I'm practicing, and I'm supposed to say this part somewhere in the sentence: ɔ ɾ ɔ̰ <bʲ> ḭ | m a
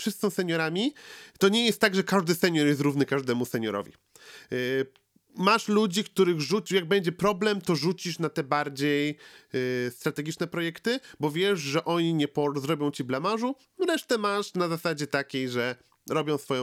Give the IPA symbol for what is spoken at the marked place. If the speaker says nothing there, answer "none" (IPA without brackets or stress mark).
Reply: vʲ